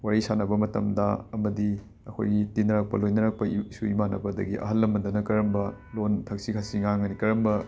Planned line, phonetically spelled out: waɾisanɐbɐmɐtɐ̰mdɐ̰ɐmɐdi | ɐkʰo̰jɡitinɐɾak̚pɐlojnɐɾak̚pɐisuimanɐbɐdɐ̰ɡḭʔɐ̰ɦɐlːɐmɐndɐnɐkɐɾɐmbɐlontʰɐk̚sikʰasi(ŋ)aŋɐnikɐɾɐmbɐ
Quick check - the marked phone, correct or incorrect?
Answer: correct